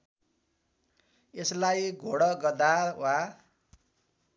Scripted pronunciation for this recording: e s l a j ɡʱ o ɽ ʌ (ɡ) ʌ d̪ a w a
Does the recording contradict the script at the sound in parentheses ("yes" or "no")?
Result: no